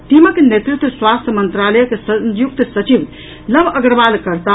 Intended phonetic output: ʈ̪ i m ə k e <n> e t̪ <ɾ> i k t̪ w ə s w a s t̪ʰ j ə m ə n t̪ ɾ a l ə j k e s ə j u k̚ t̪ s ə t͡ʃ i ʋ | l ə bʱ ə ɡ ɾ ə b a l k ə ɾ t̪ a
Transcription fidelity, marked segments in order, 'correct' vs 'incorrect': correct, correct

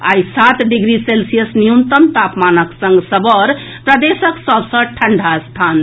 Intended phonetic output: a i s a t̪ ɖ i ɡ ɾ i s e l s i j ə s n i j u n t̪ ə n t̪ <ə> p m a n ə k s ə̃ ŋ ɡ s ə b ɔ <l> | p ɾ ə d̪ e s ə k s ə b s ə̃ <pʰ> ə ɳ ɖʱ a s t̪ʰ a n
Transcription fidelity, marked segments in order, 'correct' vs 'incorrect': incorrect, incorrect, incorrect

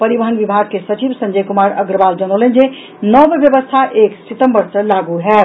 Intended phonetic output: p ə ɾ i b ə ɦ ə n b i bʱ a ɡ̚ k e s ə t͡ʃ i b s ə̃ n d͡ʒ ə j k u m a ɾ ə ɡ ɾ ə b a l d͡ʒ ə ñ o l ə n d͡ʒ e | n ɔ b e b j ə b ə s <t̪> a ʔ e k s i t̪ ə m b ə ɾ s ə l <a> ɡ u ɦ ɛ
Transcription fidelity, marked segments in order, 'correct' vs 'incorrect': incorrect, correct

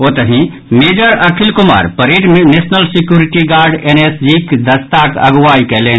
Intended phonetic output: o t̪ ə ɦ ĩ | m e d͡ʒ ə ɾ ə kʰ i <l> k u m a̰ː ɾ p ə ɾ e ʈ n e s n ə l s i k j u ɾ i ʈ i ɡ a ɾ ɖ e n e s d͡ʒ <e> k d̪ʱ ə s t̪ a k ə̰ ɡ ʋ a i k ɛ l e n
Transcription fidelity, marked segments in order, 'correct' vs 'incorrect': correct, incorrect

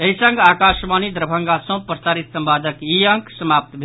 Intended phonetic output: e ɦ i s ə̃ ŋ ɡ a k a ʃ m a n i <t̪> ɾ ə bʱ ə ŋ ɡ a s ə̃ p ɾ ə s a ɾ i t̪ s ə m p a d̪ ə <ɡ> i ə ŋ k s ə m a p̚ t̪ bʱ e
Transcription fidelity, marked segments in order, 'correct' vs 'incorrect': incorrect, incorrect

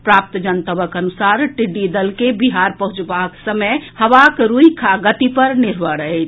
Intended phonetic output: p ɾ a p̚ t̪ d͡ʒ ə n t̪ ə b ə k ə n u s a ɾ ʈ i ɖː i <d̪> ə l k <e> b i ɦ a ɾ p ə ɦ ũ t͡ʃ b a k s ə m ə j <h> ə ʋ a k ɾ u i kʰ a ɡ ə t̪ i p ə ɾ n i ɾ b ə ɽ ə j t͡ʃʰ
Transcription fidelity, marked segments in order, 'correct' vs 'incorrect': correct, correct, correct

